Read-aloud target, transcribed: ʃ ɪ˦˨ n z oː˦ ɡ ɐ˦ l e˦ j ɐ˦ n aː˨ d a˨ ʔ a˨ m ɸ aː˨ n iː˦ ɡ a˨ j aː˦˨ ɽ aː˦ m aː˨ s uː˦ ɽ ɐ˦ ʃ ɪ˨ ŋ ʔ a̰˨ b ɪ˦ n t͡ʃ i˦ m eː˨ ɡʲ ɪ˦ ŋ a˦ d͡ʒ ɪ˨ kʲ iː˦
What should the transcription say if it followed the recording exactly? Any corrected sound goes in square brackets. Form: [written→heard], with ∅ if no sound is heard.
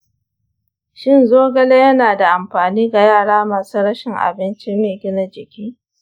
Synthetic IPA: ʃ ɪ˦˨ n z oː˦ ɡ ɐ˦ l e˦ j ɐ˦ n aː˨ d a˨ ʔ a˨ m ɸ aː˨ n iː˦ ɡ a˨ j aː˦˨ ɽ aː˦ m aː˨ s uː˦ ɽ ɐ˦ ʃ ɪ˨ ŋ ʔ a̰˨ b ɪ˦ n t͡ʃ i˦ m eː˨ ɡʲ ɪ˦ [ŋ→n] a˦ d͡ʒ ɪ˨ kʲ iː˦